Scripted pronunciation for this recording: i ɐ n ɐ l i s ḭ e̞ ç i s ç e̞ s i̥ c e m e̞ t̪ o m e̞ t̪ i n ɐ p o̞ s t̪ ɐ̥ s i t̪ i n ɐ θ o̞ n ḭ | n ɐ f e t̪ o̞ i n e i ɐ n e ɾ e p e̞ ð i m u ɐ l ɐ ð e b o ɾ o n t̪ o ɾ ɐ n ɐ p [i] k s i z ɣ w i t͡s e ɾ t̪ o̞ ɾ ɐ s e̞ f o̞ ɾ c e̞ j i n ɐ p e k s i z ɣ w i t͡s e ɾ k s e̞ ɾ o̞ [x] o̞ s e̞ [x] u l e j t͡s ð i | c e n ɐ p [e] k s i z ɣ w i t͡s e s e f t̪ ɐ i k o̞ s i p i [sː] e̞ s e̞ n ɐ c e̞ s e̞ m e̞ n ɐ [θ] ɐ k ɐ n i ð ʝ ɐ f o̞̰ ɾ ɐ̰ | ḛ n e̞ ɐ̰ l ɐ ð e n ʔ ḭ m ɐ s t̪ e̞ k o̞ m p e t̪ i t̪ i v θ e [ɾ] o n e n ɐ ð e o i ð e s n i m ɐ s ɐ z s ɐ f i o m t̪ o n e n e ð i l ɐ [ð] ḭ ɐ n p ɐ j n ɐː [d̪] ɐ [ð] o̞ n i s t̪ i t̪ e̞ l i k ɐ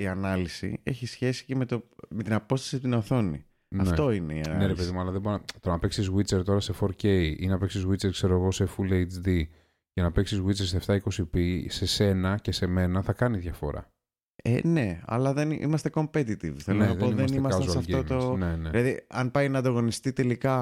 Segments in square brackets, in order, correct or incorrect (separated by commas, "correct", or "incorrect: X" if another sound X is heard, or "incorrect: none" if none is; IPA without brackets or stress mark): incorrect: e, incorrect: ɣ, incorrect: f, correct, incorrect: s, correct, incorrect: l, correct, correct, incorrect: ɣ